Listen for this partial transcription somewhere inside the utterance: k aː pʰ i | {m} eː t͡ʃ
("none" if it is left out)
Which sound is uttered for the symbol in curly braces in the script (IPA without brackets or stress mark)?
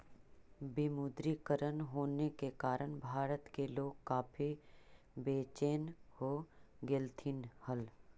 b